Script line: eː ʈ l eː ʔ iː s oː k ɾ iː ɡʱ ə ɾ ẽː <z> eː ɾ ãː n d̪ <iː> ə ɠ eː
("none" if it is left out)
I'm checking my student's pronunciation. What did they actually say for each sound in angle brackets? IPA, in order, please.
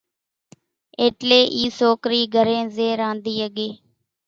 z, iː

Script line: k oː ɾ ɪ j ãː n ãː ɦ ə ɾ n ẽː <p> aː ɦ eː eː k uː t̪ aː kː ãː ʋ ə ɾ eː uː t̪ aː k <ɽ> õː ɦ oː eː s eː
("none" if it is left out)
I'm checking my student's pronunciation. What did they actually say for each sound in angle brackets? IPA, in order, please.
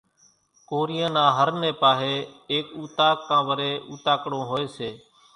p, ɽ

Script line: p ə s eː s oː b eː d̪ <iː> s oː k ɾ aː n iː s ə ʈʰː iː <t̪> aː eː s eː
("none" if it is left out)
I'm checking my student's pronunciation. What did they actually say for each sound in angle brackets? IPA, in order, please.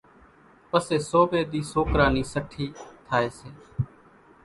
iː, t̪ʰ

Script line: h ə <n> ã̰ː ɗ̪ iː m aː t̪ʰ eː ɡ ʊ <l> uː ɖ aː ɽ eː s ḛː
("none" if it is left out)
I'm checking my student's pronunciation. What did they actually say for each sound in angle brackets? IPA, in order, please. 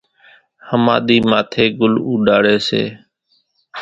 m, l

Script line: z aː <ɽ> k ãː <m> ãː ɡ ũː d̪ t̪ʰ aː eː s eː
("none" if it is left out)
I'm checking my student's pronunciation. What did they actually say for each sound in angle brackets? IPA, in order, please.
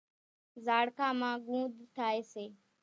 ɽ, m

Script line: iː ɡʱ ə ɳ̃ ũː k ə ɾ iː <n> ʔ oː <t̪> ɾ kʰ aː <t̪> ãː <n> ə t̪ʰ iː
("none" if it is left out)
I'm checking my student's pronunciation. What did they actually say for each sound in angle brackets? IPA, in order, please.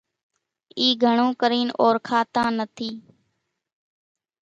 n, none, t̪, n

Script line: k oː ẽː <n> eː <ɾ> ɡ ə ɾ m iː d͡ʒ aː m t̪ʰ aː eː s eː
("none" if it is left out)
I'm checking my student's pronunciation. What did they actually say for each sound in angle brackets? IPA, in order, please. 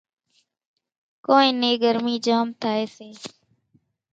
n, none

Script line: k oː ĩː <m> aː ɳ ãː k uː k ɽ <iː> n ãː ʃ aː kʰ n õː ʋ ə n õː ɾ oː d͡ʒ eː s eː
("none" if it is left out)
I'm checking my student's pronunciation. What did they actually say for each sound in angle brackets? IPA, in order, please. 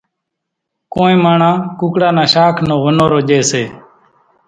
m, aː

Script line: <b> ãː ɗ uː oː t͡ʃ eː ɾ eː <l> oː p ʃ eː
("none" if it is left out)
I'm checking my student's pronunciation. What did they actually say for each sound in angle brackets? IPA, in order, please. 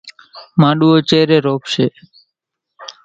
m, ɾ

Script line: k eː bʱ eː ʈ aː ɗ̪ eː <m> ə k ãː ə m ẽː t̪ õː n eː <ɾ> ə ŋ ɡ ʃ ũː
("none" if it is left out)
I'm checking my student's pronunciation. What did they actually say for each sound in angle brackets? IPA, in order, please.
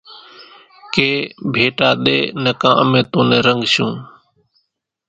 n, ɾ

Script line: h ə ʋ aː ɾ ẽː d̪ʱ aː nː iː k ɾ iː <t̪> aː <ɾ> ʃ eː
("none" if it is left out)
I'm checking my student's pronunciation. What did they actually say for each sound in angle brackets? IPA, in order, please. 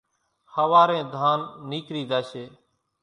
d̪, none

